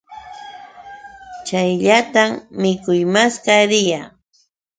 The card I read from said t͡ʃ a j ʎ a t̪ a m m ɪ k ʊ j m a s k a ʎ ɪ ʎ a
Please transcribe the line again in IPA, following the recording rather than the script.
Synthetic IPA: t͡ʃ a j ʎ a t̪ a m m ɪ k ʊ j m a s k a ɾ ɪ j a